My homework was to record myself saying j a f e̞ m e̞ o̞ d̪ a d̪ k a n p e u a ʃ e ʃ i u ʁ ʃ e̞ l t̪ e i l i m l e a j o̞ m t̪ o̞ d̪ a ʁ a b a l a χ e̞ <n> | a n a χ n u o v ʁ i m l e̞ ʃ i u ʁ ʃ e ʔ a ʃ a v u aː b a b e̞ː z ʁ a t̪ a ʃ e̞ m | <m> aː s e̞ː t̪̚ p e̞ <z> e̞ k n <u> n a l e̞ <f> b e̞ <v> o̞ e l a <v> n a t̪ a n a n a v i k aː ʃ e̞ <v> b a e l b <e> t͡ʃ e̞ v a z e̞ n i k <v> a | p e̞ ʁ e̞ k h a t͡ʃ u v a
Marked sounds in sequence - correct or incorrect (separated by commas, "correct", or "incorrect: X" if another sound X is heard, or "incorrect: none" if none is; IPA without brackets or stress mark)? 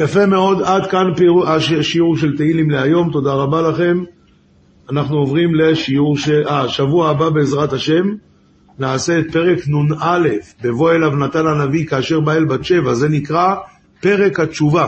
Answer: incorrect: m, incorrect: n, incorrect: ʁ, correct, correct, correct, correct, incorrect: ʁ, incorrect: a, incorrect: ʁ